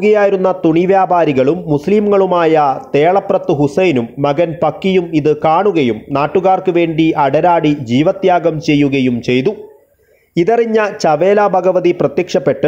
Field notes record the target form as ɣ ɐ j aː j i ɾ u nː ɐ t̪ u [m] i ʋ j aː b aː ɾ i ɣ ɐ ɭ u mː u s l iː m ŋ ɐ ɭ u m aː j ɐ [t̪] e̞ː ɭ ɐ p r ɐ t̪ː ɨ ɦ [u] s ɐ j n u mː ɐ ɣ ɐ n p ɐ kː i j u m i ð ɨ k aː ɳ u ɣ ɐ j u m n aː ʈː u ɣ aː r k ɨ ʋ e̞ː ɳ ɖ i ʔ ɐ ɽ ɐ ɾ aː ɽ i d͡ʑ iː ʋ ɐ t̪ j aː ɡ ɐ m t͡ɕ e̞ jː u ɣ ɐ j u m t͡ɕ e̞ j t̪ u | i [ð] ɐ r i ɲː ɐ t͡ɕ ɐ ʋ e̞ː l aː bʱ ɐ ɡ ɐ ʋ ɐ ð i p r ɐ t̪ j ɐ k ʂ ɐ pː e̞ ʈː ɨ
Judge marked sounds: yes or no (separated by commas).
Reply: no, yes, yes, yes